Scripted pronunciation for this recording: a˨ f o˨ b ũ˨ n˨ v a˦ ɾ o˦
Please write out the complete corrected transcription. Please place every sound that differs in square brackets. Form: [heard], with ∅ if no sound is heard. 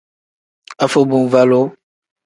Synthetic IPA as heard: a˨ f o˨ b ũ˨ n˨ v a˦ [l] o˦